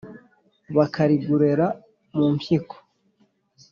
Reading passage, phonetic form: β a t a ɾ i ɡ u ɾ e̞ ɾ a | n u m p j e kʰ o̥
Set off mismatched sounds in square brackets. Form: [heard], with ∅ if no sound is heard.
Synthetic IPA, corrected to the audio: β a [k] a ɾ i ɡ u ɾ e̞ ɾ a | [m] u m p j [i] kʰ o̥